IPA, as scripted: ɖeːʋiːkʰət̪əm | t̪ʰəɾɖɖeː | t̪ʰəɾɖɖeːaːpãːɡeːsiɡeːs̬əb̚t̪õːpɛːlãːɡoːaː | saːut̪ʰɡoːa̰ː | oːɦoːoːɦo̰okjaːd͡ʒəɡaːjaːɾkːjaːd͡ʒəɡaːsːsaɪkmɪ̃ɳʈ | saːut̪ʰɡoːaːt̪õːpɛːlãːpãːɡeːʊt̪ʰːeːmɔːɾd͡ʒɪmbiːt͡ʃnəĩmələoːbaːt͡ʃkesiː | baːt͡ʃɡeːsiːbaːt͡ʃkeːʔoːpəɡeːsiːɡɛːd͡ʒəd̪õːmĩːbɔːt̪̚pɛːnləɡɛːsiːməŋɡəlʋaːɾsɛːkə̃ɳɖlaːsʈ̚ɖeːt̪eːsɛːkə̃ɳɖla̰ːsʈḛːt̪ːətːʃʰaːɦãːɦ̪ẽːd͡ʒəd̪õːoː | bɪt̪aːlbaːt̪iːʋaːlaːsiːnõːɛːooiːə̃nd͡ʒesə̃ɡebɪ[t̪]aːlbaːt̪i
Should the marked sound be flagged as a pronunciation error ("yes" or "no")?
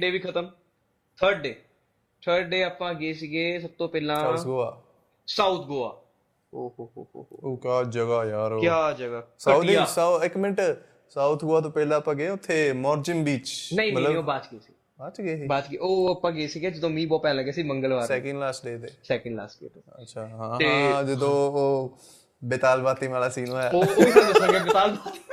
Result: no